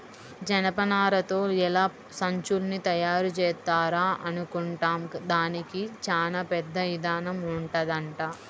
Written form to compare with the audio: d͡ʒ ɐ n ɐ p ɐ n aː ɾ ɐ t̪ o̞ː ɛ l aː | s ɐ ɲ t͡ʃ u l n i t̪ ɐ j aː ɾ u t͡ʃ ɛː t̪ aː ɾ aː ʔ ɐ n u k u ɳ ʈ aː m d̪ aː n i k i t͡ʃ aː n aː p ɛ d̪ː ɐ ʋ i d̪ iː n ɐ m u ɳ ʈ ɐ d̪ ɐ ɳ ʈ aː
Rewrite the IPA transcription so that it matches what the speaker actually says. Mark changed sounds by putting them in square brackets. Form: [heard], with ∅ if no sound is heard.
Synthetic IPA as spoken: d͡ʒ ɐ n ɐ p ɐ n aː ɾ ɐ t̪ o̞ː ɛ l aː | s ɐ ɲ t͡ʃ u l n i t̪ ɐ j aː ɾ u t͡ʃ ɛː t̪ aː ɾ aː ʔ ɐ n u k u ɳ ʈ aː m d̪ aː n i k i t͡ʃ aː n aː p ɛ d̪ː ɐ ʋ i d̪ [aː] n ɐ m u ɳ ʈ ɐ d̪ ɐ ɳ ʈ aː